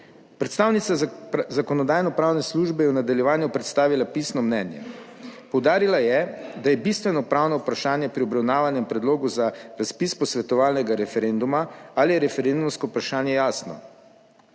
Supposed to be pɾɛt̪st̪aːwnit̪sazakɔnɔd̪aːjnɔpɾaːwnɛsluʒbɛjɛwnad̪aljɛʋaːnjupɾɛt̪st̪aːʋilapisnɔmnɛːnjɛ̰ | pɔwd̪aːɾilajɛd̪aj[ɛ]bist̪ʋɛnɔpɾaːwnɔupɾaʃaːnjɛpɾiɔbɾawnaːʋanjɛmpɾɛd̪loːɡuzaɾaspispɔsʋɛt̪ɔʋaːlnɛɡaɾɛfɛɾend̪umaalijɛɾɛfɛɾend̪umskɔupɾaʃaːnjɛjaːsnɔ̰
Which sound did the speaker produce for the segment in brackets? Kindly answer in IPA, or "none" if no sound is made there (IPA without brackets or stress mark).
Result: ɛ